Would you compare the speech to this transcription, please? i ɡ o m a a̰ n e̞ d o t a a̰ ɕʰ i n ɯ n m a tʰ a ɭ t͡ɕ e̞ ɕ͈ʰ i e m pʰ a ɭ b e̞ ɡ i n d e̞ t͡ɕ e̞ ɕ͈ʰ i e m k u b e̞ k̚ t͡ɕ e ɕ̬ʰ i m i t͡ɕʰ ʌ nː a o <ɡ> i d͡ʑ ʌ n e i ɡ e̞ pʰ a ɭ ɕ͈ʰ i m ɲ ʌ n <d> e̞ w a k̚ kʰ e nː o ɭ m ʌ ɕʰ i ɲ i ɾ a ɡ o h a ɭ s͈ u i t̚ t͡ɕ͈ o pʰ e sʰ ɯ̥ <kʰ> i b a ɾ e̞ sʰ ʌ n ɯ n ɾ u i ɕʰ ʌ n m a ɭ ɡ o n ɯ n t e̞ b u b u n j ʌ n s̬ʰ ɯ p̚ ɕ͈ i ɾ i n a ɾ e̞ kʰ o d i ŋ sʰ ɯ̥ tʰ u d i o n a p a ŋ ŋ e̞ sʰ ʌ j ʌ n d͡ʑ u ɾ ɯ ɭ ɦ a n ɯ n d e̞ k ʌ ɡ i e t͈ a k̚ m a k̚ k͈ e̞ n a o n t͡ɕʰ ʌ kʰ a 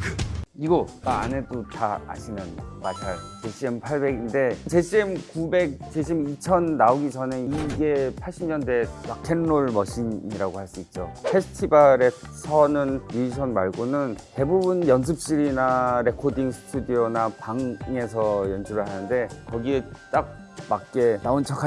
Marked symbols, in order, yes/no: yes, yes, no

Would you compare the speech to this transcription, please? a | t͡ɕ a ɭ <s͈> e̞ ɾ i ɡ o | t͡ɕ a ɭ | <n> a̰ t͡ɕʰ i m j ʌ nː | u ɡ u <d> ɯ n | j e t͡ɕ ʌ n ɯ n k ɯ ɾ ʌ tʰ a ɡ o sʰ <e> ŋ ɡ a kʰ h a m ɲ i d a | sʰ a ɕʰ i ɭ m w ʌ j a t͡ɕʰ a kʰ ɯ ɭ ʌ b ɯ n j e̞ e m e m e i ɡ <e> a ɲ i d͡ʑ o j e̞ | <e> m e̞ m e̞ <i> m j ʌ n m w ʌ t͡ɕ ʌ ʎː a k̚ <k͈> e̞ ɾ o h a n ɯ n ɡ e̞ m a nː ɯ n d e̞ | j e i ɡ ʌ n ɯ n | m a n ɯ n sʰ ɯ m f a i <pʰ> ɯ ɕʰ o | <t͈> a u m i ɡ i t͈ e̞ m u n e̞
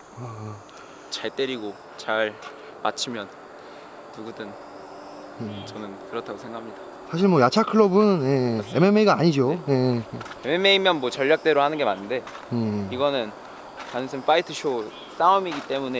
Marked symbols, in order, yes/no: no, no, yes, yes, no, yes, yes, no, no, no

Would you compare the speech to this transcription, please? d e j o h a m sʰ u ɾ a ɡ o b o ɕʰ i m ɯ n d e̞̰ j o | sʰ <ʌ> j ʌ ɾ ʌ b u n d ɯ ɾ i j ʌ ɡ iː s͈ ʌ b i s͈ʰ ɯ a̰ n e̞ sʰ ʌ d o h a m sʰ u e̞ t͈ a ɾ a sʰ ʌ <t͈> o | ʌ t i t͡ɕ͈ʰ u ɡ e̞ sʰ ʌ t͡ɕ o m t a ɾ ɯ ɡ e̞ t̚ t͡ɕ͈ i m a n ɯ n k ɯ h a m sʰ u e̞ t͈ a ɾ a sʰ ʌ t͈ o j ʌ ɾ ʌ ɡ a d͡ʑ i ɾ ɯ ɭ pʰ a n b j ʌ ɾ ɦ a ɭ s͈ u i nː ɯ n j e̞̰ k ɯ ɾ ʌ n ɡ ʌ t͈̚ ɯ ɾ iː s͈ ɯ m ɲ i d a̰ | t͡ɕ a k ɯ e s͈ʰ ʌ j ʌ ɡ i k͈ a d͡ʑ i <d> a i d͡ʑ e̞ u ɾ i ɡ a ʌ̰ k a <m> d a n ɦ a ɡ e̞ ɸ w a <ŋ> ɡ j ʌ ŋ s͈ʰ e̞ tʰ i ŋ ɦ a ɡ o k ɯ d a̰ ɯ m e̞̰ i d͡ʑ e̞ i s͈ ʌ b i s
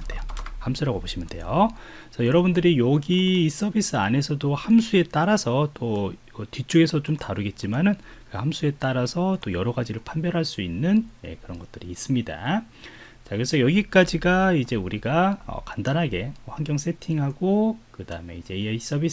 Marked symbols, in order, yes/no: yes, yes, no, no, yes

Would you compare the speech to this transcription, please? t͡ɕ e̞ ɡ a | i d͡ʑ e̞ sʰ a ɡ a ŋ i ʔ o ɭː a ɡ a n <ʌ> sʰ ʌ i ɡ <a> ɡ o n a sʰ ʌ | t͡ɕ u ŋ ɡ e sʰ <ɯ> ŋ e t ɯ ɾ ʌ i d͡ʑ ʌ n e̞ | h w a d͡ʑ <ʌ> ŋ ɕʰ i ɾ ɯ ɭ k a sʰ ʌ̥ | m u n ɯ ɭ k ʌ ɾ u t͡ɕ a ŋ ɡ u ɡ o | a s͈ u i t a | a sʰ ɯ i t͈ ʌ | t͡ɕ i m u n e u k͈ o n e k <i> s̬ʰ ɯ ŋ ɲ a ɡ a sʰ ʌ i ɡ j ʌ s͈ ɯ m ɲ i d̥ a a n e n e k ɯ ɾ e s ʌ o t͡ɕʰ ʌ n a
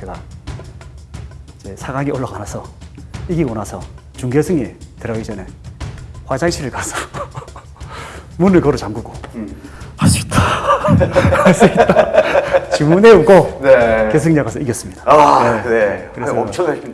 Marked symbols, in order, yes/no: no, no, yes, no, no

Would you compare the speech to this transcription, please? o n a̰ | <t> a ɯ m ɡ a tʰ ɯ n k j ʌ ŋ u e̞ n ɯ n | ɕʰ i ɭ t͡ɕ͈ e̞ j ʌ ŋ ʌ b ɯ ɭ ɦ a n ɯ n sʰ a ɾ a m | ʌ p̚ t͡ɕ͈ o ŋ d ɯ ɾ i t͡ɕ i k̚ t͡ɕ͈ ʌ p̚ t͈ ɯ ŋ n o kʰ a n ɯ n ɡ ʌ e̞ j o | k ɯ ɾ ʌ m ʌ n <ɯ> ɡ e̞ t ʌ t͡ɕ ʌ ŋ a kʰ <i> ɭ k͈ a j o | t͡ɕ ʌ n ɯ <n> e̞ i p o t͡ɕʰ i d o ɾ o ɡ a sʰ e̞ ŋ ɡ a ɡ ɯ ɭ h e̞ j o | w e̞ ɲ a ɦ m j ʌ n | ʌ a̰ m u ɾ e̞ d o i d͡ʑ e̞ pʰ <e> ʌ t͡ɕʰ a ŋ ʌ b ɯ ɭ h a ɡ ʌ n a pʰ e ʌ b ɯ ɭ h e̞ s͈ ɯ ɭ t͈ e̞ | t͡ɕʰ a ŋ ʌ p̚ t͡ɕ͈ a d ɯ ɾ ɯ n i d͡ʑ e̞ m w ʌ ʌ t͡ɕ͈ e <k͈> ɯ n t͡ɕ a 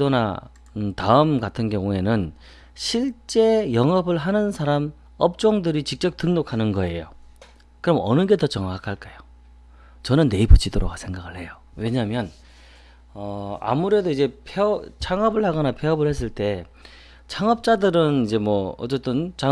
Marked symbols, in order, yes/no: yes, yes, no, no, yes, no

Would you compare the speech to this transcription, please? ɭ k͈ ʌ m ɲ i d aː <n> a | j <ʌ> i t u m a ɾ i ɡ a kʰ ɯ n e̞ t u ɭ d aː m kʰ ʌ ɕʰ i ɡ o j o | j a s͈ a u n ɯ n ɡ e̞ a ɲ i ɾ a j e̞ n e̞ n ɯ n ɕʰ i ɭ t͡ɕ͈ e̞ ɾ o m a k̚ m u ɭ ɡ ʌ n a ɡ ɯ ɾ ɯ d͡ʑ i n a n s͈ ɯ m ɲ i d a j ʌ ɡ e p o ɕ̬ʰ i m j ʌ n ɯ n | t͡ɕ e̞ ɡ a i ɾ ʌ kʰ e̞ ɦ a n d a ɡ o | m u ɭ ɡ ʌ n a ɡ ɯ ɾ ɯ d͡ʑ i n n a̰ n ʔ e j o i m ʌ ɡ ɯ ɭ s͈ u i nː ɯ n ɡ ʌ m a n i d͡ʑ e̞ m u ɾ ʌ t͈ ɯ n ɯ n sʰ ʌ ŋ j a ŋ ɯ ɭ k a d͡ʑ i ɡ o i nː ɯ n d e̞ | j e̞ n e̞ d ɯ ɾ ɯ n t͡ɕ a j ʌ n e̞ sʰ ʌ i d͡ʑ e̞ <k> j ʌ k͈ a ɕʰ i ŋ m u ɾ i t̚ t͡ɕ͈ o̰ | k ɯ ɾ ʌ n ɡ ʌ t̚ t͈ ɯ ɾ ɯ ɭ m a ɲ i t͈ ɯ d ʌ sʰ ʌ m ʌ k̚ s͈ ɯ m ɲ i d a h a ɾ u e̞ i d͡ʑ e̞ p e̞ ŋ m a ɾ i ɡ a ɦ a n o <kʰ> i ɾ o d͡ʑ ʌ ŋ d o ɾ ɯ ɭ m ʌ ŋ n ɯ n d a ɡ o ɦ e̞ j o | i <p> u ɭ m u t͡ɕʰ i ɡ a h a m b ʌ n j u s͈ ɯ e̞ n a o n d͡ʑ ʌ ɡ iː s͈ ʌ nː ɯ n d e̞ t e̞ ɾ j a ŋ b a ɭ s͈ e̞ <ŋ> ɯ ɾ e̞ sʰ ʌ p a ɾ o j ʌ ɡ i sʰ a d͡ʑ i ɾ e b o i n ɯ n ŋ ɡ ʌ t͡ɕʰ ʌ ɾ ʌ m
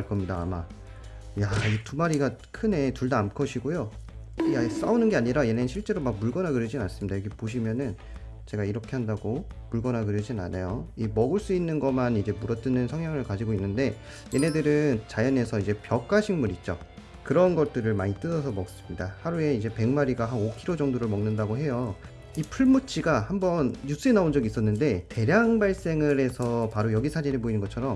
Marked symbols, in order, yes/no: no, no, no, yes, no, yes

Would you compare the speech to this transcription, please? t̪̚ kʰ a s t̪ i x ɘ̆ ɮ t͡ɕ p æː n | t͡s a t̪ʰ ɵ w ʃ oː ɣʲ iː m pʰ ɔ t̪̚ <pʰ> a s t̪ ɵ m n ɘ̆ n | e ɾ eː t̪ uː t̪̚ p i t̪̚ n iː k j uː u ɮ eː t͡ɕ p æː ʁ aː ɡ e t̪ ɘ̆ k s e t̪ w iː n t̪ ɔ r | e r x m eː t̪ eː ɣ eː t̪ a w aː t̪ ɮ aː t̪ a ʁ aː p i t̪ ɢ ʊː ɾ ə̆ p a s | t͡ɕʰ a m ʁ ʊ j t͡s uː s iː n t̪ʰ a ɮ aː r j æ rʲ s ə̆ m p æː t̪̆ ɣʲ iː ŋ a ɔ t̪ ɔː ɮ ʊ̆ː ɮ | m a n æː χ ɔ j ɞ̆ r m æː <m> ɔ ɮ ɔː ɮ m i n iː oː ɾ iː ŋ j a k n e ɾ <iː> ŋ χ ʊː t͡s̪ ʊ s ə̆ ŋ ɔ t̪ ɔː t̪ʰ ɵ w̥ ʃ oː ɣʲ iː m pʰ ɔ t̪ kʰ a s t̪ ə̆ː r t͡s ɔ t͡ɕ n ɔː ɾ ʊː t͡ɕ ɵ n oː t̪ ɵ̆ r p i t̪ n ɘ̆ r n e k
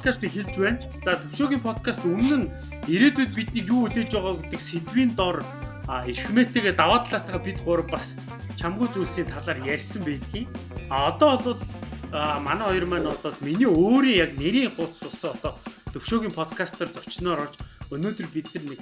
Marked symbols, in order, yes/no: no, no, yes

